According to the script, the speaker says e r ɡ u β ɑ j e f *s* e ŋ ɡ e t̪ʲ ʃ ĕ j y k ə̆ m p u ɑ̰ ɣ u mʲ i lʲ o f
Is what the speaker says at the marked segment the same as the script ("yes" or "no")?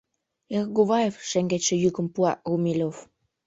no